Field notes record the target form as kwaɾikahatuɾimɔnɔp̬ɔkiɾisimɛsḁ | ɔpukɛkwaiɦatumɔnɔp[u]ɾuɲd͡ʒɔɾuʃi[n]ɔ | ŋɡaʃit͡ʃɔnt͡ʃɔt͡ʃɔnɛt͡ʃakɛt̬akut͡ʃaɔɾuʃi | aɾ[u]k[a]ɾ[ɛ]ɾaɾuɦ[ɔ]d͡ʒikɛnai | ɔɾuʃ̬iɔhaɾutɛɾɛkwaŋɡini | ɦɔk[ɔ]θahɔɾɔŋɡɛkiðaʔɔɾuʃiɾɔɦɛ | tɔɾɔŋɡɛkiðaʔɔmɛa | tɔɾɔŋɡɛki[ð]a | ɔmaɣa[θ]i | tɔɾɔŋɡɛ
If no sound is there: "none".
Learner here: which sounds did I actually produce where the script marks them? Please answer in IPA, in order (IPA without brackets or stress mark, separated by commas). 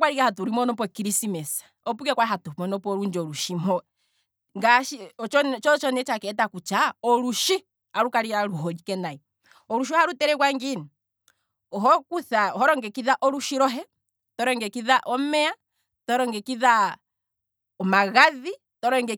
ɔ, m, u, a, i, ɔ, u, ð, ð